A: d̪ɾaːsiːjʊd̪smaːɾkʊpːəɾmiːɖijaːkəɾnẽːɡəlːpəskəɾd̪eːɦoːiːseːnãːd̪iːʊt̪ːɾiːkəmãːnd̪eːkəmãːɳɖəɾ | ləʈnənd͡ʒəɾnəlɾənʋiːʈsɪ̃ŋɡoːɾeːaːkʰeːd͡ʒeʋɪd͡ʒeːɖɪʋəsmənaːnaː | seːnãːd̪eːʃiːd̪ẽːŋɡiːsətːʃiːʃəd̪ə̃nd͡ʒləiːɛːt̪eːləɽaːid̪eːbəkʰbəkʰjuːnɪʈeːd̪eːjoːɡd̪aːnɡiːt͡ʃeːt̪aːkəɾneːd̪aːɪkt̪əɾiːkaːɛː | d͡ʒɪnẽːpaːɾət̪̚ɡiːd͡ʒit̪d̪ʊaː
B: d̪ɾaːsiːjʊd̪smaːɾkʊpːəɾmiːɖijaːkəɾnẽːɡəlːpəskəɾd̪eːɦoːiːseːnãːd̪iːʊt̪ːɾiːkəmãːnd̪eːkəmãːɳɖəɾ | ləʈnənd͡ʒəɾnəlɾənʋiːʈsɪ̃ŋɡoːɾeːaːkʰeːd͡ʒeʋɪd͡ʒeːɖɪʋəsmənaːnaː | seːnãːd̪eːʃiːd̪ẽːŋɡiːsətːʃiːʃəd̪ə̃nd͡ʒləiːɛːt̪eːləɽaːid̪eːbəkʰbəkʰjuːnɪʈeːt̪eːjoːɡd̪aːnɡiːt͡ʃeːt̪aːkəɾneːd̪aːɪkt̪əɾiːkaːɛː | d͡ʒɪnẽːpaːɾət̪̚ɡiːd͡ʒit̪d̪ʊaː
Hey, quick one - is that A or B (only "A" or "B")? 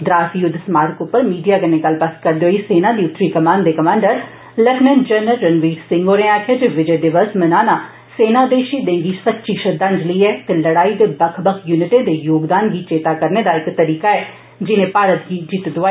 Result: A